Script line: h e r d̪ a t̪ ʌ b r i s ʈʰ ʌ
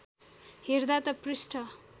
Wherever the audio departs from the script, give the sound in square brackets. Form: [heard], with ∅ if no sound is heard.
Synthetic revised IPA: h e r d̪ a t̪ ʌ [p] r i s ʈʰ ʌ